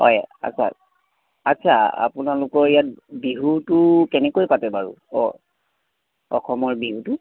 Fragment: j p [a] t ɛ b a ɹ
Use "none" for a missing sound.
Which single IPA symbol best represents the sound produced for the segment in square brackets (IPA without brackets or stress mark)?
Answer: a